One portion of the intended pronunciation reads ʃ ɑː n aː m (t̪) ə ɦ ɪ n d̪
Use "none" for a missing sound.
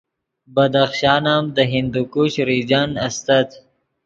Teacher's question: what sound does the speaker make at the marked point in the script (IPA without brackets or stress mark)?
d̪